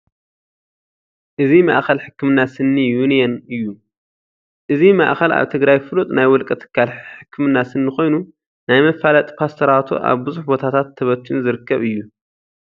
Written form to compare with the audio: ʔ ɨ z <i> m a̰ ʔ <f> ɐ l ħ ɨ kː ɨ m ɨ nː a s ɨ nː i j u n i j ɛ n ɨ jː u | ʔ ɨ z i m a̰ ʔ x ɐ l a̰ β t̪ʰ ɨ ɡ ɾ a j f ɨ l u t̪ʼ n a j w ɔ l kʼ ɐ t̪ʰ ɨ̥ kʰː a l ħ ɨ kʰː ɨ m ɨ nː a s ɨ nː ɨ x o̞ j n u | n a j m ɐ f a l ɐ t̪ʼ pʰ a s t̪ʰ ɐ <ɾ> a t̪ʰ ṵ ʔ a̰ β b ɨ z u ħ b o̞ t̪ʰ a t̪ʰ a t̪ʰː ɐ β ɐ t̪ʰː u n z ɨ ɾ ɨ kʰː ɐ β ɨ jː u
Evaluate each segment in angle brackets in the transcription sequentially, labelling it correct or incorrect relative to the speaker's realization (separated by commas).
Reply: correct, incorrect, correct